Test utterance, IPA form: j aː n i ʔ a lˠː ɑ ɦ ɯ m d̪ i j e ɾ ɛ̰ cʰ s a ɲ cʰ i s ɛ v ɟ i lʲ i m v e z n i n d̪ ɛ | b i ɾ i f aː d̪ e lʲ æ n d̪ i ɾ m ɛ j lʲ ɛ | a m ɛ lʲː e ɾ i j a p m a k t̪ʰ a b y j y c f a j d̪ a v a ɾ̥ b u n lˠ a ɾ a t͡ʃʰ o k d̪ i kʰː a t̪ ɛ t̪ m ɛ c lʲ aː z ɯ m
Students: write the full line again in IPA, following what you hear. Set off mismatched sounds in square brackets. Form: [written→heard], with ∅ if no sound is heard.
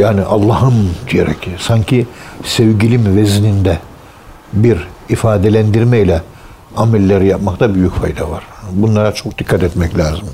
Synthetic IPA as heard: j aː n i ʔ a lˠː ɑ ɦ ɯ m d̪ i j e ɾ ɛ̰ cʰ s a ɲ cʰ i s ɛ v ɟ i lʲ i m v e z n i n d̪ ɛ | b i ɾ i f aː d̪ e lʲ æ n d̪ i ɾ m ɛ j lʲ ɛ | a m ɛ lʲː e ɾ i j a p m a k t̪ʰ a b y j y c f a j d̪ a v a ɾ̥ b u n lˠ a ɾ a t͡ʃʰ o k d̪ i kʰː a t̪ ɛ t̪ m ɛ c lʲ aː z ɯ m